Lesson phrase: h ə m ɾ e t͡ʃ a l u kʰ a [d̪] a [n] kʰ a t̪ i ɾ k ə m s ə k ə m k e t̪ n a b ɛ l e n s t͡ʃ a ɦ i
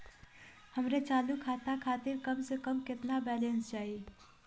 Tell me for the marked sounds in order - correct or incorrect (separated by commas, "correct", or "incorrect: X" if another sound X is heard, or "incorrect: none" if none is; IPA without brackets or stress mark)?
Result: incorrect: t̪, incorrect: none